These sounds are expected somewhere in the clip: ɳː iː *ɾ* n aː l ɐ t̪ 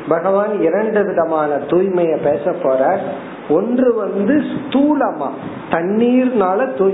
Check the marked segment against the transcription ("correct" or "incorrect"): correct